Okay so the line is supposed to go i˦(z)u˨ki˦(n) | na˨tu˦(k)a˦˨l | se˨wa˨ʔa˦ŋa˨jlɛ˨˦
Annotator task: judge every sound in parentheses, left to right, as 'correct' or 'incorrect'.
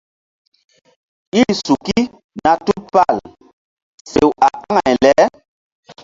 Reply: incorrect: s, incorrect: none, incorrect: p

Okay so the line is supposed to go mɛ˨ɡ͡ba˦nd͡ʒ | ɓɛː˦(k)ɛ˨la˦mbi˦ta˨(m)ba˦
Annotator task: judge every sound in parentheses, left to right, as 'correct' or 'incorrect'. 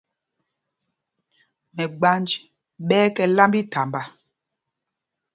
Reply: correct, correct

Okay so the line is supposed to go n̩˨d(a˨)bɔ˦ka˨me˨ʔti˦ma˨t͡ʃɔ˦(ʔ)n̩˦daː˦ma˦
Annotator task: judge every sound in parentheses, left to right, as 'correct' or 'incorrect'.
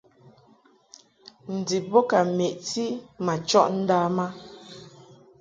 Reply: incorrect: i˨, correct

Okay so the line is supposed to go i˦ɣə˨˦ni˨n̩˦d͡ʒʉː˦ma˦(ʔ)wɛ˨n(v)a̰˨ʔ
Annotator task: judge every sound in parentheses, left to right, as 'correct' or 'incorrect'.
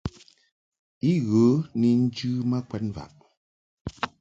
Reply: incorrect: k, correct

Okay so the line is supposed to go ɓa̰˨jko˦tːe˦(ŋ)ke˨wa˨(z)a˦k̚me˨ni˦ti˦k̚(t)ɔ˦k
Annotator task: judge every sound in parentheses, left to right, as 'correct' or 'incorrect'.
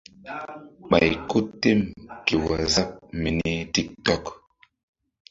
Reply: incorrect: m, correct, correct

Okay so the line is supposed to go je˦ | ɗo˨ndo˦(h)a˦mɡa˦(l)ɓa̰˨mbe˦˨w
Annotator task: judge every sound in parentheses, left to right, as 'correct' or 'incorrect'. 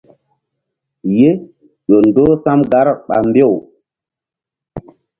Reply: incorrect: s, incorrect: ɾ

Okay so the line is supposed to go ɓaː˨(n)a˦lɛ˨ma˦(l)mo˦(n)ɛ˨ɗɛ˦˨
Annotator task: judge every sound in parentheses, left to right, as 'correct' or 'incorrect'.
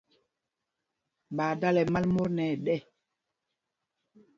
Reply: incorrect: d, correct, correct

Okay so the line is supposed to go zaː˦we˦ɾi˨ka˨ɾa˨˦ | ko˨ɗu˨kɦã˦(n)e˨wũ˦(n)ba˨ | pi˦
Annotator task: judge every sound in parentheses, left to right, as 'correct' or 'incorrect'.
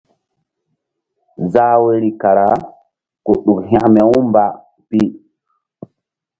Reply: incorrect: m, incorrect: m

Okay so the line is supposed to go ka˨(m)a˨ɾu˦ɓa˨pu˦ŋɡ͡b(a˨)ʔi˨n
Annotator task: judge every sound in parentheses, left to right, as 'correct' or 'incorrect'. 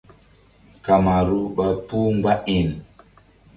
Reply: correct, incorrect: a˦

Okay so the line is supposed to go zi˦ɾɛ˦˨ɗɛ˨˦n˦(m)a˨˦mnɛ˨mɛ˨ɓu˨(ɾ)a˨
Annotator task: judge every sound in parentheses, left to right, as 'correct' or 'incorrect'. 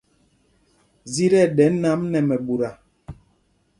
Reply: incorrect: n, correct

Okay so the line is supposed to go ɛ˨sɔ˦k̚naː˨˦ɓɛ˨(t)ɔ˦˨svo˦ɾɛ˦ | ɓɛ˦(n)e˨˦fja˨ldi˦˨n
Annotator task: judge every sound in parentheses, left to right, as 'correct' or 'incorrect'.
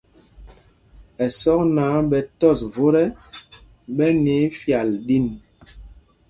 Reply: correct, correct

